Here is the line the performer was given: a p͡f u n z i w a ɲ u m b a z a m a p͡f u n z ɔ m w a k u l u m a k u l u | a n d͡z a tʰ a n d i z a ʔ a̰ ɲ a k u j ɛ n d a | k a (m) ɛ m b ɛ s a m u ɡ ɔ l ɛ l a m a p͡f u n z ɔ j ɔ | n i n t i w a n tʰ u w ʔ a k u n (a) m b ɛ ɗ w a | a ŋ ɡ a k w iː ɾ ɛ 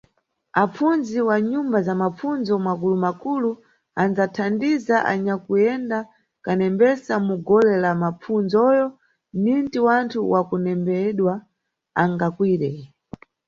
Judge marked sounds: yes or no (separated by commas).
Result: no, no